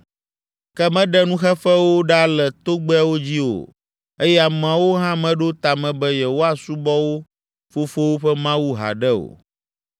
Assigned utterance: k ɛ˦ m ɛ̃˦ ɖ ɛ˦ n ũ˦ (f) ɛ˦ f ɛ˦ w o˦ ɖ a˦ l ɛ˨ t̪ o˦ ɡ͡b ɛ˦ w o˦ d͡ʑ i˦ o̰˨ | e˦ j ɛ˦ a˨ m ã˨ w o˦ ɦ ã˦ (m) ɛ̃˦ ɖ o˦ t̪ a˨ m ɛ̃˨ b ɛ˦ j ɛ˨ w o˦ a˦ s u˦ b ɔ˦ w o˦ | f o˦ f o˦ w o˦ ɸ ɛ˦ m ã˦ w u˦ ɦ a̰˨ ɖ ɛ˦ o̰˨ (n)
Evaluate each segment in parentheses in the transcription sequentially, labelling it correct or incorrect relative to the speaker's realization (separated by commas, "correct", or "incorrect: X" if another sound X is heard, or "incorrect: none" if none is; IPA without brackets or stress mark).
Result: incorrect: x, correct, incorrect: none